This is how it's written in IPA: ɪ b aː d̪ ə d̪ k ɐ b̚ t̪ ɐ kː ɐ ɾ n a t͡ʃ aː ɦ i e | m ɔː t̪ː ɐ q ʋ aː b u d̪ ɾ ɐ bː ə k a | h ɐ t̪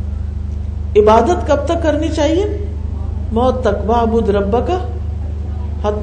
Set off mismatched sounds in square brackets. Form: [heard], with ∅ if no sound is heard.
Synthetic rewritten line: ɪ b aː d̪ ə [t̪] k ɐ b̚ t̪ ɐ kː ɐ ɾ n [i] t͡ʃ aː ɦ i e | m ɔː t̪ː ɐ [k] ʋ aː b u d̪ ɾ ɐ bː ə k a | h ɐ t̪